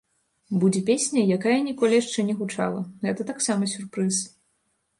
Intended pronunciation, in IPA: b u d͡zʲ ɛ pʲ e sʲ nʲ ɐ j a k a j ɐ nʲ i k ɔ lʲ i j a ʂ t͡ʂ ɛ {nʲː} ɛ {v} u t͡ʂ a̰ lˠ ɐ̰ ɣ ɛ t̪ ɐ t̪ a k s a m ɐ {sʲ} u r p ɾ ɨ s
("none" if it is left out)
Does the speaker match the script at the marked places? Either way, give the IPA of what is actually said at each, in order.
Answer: nʲ, ɣ, sʲ

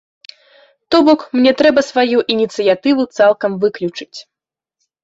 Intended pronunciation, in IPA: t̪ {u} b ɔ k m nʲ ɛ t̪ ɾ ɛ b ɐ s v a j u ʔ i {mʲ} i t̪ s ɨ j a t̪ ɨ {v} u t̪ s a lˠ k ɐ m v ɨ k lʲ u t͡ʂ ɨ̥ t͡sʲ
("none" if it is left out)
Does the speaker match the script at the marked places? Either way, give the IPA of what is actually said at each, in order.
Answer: ɔ, nʲ, v

